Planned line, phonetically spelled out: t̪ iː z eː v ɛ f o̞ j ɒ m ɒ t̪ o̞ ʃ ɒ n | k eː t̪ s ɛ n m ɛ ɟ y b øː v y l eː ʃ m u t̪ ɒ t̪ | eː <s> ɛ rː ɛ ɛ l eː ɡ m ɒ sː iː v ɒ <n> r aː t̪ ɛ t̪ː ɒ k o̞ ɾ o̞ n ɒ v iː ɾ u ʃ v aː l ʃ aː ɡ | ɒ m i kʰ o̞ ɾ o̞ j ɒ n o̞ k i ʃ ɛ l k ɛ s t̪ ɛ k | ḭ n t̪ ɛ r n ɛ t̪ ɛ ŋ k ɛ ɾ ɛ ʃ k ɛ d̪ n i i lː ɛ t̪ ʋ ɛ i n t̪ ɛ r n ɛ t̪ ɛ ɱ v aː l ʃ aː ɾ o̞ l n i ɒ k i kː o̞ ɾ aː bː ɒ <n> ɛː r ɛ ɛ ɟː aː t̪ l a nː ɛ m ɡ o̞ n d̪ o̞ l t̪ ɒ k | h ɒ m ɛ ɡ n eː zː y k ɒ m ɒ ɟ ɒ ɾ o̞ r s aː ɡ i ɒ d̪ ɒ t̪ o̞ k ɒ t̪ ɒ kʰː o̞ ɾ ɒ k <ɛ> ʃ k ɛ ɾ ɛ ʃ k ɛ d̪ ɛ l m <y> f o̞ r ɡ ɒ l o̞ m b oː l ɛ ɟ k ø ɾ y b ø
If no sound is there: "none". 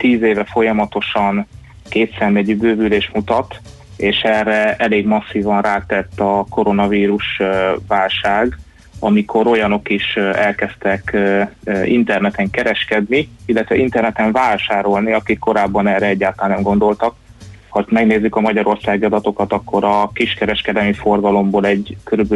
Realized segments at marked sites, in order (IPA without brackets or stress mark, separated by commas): ʃ, n, n, i, i